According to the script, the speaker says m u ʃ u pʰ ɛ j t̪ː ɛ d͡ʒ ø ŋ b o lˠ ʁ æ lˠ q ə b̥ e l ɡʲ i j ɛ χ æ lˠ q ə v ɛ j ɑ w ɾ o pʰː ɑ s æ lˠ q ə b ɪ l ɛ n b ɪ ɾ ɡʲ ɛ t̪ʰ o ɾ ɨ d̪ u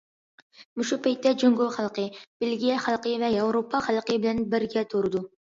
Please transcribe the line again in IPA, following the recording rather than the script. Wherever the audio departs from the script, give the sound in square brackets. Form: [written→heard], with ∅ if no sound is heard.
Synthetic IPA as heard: m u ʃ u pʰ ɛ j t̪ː ɛ d͡ʒ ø ŋ [b→ɡ] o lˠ [ʁ→χ] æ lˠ q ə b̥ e l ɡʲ i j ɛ χ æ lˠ q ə v ɛ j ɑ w ɾ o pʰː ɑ [s→χ] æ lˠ q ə b ɪ l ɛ n b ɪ ɾ ɡʲ ɛ t̪ʰ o ɾ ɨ d̪ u